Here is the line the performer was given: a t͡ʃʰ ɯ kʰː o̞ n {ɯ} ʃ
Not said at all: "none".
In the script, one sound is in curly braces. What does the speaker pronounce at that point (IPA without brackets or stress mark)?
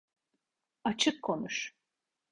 u